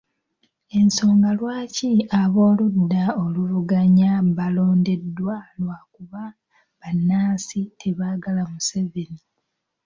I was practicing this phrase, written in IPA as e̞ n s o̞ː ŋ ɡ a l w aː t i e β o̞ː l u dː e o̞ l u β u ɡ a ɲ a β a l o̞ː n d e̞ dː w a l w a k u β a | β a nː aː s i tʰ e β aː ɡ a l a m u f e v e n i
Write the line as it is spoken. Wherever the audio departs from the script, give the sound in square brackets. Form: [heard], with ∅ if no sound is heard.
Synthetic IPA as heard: e̞ n s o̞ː ŋ ɡ a l w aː [c] i [a] β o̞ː l u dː [a] o̞ l u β u ɡ a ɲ a β a l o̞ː n d e̞ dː w a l w a k u β a | β a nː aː s i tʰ e β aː ɡ a l a m u [s] e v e n i

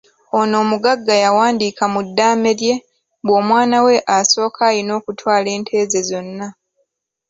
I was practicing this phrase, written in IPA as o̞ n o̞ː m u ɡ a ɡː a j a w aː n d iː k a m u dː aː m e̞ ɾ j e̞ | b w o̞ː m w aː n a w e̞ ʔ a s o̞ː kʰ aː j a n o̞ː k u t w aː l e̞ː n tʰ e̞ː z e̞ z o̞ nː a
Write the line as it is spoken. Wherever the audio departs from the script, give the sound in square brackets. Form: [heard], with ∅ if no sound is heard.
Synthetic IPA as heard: o̞ n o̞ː m u ɡ a ɡː a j a w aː n d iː k a m u dː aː m e̞ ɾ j e̞ | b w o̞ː m w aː n a w e̞ ʔ a s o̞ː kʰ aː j [i] n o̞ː k u t w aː l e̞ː n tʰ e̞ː z e̞ z o̞ nː a

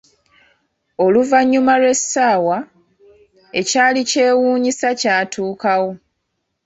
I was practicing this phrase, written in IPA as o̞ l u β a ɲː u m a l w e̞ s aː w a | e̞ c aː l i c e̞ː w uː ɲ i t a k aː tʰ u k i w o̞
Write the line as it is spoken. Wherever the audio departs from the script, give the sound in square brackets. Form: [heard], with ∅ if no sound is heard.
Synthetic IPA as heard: o̞ l u [v] a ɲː u m a l w e̞ s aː w a | e̞ c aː l i c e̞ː w uː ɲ i [s] a [c] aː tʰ [uː] k [a] w o̞

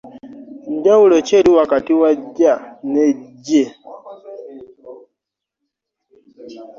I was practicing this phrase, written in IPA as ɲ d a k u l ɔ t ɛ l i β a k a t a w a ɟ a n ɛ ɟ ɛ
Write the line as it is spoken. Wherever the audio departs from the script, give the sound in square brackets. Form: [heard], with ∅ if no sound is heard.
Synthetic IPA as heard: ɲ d a [∅] u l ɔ [t͡ʃ] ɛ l i [w] a k a t [i] w a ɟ a n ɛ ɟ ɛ

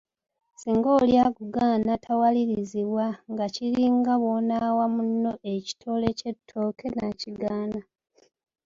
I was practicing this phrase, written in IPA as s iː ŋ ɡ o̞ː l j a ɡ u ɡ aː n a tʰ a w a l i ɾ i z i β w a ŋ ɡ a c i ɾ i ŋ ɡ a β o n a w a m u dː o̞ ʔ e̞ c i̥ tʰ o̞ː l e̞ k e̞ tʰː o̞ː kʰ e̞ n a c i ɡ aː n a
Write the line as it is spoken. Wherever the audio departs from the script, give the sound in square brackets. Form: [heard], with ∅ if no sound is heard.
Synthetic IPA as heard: s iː ŋ ɡ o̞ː l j a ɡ u ɡ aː n a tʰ a w a l i ɾ i z i β w a ŋ ɡ a c i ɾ i ŋ ɡ a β o n a w a m u [nː] o̞ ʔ e̞ c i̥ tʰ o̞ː l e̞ [c] e̞ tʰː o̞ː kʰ e̞ n a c i ɡ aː n a

